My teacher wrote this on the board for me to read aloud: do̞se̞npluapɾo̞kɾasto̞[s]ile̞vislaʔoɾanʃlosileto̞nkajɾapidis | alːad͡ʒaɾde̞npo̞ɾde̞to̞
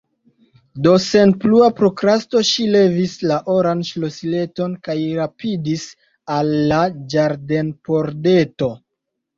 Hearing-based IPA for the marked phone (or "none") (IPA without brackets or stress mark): ʃ